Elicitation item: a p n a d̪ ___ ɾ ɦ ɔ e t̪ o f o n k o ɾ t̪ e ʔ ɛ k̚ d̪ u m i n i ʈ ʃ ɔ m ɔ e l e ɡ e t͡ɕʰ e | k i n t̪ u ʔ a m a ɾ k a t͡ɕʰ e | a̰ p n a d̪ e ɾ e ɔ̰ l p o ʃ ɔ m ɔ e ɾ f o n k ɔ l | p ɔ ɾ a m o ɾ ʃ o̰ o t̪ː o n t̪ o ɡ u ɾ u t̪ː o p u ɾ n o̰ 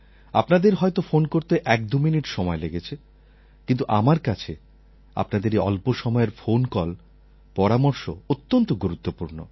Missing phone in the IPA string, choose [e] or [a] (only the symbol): e